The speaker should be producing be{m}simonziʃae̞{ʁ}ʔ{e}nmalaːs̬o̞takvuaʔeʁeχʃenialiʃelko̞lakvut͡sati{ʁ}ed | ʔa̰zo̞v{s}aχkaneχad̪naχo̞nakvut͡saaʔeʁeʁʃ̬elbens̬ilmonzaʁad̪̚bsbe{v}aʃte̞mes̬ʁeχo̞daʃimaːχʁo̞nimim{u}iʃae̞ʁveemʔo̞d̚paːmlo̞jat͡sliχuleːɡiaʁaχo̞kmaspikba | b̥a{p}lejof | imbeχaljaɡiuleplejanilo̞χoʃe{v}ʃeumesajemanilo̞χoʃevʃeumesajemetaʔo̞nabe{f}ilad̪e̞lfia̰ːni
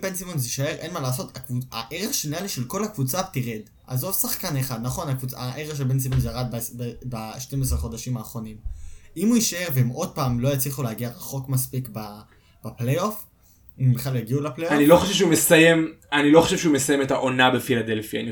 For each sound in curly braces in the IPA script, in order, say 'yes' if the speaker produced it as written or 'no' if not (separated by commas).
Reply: no, yes, yes, yes, yes, no, yes, yes, yes, yes